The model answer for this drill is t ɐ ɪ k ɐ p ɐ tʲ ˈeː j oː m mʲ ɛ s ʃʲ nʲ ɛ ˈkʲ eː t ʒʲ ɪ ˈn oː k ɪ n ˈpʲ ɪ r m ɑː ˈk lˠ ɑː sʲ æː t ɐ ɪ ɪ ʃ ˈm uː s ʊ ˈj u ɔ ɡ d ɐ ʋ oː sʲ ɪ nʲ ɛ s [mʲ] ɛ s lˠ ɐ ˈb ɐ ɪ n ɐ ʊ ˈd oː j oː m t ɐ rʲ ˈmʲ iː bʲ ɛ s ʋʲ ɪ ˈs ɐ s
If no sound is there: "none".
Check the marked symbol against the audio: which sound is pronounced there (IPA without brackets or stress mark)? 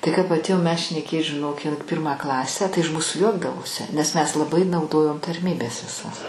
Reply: mʲ